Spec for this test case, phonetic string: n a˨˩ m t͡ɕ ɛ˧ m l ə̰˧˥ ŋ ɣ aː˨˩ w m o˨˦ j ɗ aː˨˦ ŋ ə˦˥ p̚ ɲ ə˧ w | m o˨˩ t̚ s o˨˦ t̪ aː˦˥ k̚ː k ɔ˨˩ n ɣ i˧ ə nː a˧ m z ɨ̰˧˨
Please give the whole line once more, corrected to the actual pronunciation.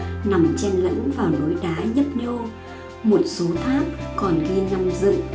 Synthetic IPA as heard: n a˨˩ m t͡ɕ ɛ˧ n l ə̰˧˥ ŋ v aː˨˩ w n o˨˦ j ɗ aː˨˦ ɲ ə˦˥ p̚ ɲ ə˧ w | m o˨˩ t̚ s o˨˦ t̪ʰ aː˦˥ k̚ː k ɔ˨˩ n ɣ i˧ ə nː a˧ m z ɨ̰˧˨